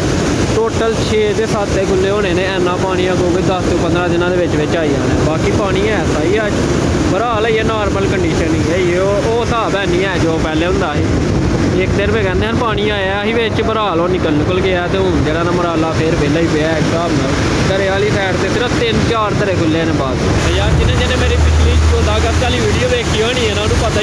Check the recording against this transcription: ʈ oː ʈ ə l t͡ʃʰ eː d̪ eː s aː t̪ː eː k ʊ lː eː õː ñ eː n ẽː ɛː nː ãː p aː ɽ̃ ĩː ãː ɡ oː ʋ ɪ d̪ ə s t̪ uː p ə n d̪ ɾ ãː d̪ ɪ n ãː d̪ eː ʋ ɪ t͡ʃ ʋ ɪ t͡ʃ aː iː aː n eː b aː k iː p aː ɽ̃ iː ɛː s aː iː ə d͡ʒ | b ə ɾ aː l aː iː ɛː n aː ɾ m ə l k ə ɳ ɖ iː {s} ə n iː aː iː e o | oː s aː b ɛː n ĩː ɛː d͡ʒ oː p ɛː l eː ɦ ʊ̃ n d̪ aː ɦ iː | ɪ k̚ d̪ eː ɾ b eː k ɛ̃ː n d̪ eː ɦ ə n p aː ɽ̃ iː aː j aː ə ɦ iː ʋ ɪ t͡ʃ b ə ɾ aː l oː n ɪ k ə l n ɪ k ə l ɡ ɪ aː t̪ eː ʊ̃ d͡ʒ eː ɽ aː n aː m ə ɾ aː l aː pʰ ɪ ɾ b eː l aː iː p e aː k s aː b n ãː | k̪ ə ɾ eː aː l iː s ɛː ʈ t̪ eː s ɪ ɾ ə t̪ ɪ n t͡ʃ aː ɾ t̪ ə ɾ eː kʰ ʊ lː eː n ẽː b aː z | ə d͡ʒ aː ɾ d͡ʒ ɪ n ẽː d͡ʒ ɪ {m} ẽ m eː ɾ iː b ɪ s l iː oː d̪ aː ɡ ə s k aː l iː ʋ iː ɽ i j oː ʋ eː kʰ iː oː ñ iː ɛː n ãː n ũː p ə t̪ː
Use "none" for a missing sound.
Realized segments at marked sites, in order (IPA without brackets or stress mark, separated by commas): ʃ, n